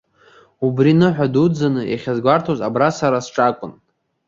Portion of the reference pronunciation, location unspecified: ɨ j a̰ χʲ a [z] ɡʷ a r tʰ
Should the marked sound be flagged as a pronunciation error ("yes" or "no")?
no